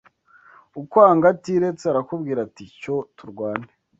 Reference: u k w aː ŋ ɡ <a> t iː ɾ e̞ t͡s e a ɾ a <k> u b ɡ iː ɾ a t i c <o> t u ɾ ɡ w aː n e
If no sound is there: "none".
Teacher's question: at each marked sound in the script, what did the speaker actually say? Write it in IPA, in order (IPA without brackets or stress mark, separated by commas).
a, k, o